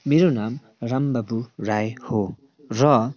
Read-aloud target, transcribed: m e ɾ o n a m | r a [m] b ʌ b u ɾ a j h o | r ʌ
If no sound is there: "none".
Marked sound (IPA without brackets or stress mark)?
m